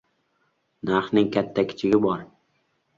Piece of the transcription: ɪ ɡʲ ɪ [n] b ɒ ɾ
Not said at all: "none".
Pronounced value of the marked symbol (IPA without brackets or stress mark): none